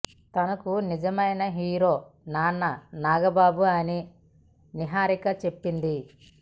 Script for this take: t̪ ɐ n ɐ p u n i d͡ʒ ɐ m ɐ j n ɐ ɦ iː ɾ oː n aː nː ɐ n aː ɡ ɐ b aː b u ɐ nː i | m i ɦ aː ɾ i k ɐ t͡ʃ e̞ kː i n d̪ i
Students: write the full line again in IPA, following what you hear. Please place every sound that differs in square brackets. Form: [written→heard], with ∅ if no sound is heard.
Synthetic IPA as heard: t̪ ɐ n ɐ [p→k] u n i d͡ʒ ɐ m ɐ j n ɐ ɦ iː ɾ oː n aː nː ɐ n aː ɡ ɐ b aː b u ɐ [nː→n] i | [m→n] i ɦ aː ɾ i k ɐ t͡ʃ e̞ [kː→pː] i n d̪ i

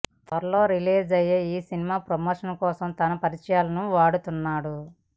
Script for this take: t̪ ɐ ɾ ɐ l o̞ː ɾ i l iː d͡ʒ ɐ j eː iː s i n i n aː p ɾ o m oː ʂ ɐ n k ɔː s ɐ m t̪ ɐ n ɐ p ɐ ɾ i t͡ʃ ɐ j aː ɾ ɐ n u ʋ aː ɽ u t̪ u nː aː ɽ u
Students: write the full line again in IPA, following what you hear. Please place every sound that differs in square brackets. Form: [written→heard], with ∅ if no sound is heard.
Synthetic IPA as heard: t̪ ɐ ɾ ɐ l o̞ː ɾ i l iː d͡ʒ ɐ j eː iː s i n i [n→m] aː p ɾ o m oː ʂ ɐ n k ɔː s ɐ m t̪ ɐ n ɐ p ɐ ɾ i t͡ʃ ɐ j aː [ɾ→l] ɐ n u ʋ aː ɽ u t̪ u nː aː ɽ u

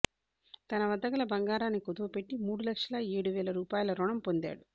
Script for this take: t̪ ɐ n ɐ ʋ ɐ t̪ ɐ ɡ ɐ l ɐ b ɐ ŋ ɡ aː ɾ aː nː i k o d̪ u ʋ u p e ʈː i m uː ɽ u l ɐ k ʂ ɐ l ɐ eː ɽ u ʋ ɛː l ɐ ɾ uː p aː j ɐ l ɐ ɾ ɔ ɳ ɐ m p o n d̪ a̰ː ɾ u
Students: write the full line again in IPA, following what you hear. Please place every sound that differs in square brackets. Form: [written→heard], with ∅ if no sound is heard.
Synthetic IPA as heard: t̪ ɐ n ɐ ʋ ɐ [t̪→d̪] ɐ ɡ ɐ l ɐ b ɐ ŋ ɡ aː ɾ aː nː i k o d̪ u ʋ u p e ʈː i m uː ɽ u l ɐ k ʂ ɐ l ɐ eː ɽ u ʋ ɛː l ɐ ɾ uː p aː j ɐ l ɐ ɾ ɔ ɳ ɐ m p o n d̪ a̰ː [ɾ→ɽ] u

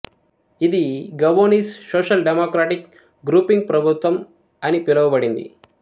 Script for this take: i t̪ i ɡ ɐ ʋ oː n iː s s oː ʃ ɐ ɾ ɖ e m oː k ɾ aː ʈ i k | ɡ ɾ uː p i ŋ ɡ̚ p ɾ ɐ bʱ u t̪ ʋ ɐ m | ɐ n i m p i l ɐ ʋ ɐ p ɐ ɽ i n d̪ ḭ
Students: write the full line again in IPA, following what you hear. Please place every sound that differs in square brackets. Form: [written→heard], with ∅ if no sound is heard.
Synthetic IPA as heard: i [t̪→d̪] i ɡ ɐ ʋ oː n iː s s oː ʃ ɐ [ɾ→l] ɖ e m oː k ɾ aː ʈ i k | ɡ ɾ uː p i ŋ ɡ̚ p ɾ ɐ bʱ u t̪ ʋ ɐ m | ɐ n i [m→∅] p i l ɐ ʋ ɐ [p→b] ɐ ɽ i n d̪ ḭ

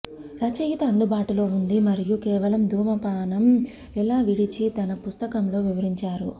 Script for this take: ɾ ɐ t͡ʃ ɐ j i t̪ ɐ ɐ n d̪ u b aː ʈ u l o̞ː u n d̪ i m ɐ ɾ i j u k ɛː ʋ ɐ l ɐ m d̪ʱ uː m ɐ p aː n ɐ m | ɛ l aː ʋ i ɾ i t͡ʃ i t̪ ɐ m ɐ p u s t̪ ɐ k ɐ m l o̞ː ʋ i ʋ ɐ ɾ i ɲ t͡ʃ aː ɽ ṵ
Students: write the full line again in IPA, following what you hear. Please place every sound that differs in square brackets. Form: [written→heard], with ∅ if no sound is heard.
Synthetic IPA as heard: ɾ ɐ t͡ʃ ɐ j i t̪ ɐ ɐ n d̪ u b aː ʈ u l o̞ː u n d̪ i m ɐ ɾ i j u k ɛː ʋ ɐ l ɐ m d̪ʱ uː m ɐ p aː n ɐ m | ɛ l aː ʋ i [ɾ→ɽ] i t͡ʃ i t̪ ɐ [m→n] ɐ p u s t̪ ɐ k ɐ m l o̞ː ʋ i ʋ ɐ ɾ i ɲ t͡ʃ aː [ɽ→ɾ] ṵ

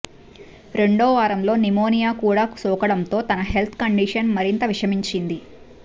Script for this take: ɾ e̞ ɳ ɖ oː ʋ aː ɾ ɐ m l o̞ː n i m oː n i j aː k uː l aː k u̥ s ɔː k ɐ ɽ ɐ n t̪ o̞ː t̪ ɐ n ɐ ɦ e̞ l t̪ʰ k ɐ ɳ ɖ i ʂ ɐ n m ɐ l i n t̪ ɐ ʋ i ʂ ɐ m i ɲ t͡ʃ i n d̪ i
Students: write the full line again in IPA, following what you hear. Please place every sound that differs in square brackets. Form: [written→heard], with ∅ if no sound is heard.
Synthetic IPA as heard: ɾ e̞ ɳ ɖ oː ʋ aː ɾ ɐ m l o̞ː n i m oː n i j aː k uː [l→ɽ] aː k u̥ s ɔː k ɐ ɽ ɐ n t̪ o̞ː t̪ ɐ n ɐ ɦ e̞ l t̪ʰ k ɐ ɳ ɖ i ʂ ɐ n m ɐ [l→ɾ] i n t̪ ɐ ʋ i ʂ ɐ m i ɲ t͡ʃ i n d̪ i

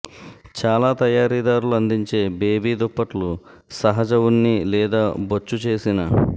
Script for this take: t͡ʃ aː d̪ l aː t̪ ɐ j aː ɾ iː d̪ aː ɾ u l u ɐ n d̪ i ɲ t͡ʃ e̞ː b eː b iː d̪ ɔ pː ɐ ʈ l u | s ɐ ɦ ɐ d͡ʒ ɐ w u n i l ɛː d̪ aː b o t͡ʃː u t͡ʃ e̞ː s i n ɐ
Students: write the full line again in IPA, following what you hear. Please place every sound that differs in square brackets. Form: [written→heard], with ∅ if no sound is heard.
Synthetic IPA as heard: t͡ʃ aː [d̪→∅] l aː t̪ ɐ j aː ɾ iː d̪ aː ɾ u l u ɐ n d̪ i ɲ t͡ʃ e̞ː b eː b iː d̪ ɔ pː ɐ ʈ l u | s ɐ ɦ ɐ d͡ʒ ɐ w u [n→nː] i l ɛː d̪ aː b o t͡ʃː u t͡ʃ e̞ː s i n ɐ

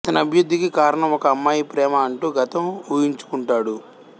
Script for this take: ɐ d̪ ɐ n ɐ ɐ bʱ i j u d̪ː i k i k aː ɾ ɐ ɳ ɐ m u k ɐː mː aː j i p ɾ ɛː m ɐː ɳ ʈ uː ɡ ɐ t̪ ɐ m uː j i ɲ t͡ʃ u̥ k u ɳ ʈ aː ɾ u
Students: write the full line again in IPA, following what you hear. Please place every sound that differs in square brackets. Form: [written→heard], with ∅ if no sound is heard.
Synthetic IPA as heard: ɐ [d̪→t̪] ɐ n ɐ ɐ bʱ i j u d̪ː i k i k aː ɾ ɐ ɳ ɐ m [u→ɔ] k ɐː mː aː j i p ɾ ɛː m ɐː ɳ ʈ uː ɡ ɐ t̪ ɐ m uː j i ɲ t͡ʃ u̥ k u ɳ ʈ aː [ɾ→ɽ] u

